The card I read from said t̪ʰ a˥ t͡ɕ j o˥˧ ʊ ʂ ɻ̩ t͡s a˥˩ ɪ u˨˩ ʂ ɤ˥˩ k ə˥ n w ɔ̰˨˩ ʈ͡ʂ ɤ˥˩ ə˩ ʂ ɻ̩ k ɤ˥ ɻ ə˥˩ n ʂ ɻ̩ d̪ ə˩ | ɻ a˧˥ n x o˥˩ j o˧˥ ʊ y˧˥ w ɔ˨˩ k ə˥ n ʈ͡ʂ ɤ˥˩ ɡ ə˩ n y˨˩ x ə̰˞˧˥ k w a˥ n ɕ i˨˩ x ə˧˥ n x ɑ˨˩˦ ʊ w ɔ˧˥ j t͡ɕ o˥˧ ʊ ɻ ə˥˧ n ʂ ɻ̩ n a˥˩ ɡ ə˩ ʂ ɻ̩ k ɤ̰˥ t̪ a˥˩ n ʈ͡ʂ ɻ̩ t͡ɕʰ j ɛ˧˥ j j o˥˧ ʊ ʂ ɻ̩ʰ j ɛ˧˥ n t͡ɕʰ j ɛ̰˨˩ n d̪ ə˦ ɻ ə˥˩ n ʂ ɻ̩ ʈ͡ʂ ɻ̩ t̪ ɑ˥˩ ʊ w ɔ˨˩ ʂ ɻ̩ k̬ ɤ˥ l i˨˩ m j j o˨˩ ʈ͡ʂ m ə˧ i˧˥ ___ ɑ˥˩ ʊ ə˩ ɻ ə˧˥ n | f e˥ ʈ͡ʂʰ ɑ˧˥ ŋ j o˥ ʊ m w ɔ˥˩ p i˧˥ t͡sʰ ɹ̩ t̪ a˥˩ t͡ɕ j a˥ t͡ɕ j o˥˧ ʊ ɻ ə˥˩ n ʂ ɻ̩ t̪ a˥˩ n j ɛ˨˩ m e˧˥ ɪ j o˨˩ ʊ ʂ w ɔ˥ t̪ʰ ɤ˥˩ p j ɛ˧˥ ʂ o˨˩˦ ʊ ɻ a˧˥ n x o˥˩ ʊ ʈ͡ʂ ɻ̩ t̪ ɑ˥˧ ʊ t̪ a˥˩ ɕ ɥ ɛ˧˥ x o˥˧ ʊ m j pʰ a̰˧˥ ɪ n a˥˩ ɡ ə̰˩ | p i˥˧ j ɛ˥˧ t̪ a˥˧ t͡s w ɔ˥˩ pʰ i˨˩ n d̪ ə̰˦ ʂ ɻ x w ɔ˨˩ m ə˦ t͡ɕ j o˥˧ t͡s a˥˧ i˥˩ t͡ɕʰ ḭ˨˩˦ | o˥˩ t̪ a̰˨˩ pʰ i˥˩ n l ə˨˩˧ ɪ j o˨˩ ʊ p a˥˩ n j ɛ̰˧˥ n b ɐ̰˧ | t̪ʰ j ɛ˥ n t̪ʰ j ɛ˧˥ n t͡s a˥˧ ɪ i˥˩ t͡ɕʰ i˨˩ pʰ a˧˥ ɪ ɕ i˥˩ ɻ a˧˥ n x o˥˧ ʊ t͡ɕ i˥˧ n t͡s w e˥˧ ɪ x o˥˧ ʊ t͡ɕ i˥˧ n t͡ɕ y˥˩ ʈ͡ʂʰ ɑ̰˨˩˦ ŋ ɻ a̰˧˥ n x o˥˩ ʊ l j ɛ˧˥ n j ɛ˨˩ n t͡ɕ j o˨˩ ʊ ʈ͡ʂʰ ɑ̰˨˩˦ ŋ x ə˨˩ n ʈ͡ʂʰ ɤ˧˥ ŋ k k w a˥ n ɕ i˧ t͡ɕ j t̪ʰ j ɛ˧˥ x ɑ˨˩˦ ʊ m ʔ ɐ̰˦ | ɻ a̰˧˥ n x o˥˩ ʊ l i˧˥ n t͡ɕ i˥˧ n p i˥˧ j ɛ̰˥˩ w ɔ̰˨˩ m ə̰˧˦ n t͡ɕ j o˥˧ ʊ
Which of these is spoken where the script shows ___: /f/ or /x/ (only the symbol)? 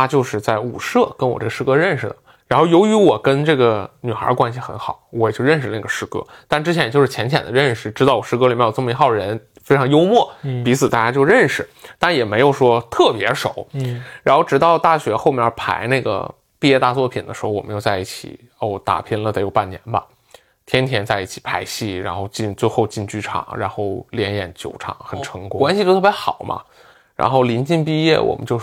x